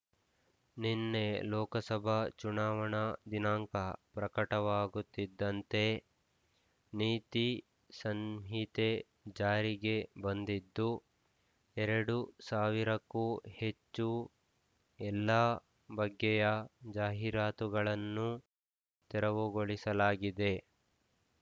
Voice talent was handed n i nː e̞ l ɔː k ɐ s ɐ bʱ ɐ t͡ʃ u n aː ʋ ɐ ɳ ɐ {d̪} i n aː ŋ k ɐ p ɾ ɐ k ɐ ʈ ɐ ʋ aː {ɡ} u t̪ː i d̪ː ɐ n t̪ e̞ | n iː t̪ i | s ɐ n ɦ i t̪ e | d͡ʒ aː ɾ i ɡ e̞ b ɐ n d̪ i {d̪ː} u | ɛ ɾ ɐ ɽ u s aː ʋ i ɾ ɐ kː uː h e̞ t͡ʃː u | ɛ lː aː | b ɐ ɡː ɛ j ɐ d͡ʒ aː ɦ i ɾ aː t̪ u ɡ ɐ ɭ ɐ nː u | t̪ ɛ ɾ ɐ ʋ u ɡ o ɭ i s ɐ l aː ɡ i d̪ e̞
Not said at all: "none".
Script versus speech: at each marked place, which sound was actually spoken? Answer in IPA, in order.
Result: d̪, ɡ, d̪ː

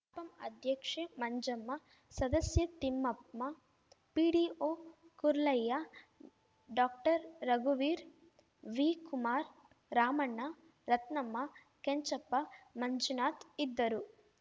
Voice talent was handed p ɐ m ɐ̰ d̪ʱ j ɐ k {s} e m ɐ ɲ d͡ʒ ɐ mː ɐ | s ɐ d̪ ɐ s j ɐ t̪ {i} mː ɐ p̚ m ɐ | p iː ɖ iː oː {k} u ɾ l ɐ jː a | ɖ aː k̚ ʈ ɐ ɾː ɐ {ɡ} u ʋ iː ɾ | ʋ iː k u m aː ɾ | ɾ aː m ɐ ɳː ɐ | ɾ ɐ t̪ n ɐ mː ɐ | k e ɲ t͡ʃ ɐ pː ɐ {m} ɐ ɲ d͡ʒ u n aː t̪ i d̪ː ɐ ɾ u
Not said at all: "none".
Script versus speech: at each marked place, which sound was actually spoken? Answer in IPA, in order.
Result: ʂ, i, k, ɡ, m

